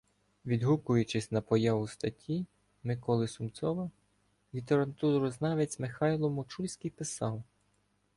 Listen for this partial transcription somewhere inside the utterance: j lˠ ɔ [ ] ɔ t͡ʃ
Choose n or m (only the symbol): m